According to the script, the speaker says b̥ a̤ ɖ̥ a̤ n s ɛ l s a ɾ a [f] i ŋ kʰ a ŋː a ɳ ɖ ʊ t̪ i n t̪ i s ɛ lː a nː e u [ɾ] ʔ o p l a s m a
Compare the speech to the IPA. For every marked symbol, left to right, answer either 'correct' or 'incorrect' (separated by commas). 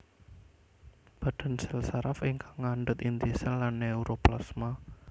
correct, correct